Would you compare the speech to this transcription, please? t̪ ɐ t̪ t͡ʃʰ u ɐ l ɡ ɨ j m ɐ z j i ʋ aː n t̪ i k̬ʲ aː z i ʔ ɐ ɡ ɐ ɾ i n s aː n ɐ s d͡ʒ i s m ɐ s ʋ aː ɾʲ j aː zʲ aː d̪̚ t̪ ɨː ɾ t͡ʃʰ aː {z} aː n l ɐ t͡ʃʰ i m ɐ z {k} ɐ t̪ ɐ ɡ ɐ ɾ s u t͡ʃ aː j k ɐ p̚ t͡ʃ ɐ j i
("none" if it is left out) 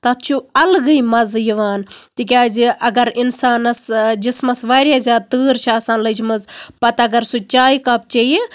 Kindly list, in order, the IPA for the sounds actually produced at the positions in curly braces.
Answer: s, p

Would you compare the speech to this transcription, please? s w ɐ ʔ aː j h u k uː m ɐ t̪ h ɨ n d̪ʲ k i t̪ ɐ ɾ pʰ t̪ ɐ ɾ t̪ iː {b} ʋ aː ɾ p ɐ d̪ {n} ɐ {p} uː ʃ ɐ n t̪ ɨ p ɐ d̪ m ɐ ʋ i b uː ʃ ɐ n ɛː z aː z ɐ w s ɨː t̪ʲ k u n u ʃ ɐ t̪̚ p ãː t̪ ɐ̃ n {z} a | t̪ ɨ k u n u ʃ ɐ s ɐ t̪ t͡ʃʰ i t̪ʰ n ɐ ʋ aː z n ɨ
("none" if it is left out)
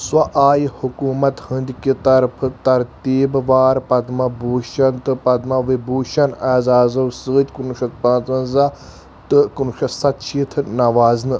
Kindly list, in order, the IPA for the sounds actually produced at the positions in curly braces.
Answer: b, m, b, z

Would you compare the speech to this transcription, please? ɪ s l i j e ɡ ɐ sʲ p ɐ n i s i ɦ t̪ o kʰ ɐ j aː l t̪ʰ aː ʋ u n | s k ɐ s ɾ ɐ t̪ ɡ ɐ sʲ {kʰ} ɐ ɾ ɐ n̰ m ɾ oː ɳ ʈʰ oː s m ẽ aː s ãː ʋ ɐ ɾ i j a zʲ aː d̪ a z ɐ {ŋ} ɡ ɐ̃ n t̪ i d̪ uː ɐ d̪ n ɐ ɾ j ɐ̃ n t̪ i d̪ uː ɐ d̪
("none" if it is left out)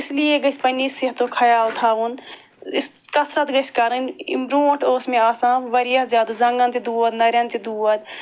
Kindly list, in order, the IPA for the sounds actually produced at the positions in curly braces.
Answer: k, ŋ

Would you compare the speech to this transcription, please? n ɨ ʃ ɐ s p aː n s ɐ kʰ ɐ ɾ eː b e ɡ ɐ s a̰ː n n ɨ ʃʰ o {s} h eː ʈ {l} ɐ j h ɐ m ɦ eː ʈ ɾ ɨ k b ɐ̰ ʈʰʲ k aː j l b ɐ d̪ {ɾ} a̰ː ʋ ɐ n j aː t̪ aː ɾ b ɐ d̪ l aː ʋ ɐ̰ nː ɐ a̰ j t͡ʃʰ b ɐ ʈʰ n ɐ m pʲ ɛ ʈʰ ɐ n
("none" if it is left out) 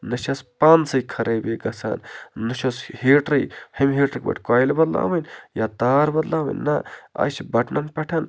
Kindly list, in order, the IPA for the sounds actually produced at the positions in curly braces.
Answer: s, ɾ, l

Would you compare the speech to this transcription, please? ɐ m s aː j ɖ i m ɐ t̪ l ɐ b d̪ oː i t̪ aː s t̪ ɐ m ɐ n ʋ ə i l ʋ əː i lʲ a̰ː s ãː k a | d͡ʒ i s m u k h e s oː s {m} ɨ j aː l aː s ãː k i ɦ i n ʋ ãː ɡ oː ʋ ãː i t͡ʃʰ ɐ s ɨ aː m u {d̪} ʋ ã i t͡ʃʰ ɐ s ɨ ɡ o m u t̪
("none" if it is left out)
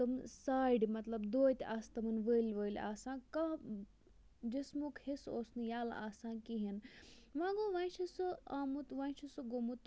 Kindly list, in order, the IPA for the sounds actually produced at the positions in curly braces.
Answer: n, t̪

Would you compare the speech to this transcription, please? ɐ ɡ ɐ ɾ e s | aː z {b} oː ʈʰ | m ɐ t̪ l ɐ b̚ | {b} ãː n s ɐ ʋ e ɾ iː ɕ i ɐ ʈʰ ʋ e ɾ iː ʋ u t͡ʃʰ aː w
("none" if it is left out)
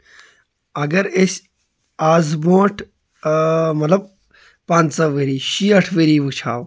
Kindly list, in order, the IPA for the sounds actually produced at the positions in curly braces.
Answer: b, p

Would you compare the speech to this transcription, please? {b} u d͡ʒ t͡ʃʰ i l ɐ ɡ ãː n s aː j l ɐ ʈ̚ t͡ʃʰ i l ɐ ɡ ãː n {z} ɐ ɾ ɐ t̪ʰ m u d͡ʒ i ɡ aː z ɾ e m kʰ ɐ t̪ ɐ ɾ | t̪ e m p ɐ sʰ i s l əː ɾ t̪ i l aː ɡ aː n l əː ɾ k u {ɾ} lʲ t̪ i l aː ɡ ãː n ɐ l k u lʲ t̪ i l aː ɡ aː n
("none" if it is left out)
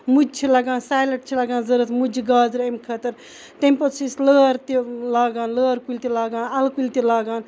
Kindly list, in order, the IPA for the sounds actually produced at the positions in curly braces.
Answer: m, z, none

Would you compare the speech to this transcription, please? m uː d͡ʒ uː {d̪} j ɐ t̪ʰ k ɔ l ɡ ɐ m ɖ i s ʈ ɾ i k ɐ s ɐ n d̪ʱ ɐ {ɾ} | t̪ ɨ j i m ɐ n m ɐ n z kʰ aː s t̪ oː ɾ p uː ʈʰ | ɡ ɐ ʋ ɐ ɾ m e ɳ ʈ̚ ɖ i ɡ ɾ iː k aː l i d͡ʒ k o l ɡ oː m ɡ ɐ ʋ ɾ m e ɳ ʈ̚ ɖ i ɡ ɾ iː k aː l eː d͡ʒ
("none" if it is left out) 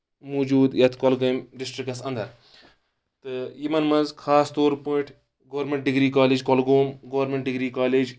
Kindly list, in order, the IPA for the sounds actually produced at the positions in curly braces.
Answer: d̪, ɾ

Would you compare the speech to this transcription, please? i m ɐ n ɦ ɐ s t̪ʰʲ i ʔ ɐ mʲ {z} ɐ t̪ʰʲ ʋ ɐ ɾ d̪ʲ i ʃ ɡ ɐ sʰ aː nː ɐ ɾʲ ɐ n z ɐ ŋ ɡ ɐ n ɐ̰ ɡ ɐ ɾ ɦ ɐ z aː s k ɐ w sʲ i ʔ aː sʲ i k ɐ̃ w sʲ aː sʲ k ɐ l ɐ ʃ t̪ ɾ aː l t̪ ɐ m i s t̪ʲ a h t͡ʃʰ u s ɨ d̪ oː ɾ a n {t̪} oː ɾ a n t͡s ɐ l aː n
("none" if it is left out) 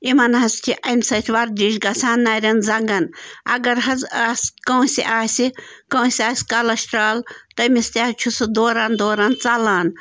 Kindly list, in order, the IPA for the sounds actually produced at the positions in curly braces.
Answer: s, d̪

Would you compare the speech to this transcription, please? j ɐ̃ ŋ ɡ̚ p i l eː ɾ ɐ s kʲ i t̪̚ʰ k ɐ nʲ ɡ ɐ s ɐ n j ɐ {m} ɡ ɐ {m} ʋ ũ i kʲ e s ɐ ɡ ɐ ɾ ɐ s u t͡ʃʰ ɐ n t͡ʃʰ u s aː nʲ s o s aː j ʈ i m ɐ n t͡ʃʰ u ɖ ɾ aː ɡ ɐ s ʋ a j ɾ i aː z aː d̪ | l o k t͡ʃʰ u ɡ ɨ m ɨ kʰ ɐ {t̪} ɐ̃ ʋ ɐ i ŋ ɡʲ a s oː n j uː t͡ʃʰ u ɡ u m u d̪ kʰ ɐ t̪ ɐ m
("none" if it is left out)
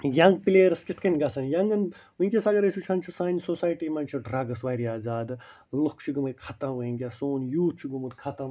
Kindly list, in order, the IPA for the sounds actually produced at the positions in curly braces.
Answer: ŋ, n, t̪

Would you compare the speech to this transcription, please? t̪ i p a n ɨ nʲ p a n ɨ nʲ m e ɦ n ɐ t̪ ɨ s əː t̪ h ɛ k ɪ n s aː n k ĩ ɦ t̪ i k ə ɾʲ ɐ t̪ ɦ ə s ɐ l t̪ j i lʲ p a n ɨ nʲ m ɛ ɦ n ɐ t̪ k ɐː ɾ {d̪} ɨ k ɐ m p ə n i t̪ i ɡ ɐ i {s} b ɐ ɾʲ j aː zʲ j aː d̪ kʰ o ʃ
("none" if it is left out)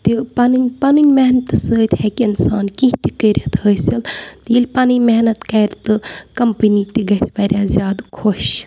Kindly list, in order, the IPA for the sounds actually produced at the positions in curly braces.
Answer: t̪, s

